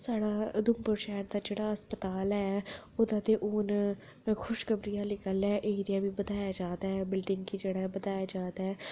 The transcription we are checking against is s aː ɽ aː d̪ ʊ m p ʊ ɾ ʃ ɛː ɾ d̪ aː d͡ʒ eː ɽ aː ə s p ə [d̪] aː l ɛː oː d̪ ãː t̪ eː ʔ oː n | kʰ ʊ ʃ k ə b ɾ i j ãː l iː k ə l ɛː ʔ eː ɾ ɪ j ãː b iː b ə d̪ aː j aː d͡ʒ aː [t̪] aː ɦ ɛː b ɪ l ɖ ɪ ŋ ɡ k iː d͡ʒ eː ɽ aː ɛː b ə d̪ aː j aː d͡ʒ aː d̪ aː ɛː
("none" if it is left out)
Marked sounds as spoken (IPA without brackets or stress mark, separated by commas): t̪, d̪